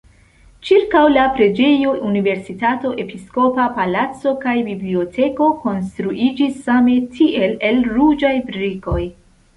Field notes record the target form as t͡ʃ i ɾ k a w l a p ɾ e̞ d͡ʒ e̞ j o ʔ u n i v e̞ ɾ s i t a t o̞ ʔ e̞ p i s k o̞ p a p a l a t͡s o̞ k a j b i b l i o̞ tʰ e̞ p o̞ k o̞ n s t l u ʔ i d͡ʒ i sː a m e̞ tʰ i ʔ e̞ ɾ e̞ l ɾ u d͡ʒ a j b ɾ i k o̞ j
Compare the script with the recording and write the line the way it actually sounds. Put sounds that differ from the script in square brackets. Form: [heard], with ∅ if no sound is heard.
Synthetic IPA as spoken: t͡ʃ i ɾ k a w l a p ɾ e̞ d͡ʒ e̞ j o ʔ u n i v e̞ ɾ s i t a t o̞ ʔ e̞ p i s k o̞ p a p a l a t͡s o̞ k a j b i b l i o̞ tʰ e̞ [k] o̞ k o̞ n s t [ɾ] u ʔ i d͡ʒ i sː a m e̞ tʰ i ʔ e̞ [l] e̞ l ɾ u d͡ʒ a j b ɾ i k o̞ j